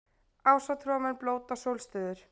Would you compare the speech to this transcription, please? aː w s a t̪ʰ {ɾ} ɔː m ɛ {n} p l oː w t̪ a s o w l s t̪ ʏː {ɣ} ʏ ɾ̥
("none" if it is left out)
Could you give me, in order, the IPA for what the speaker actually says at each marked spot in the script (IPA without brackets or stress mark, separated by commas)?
ɾ, n, ð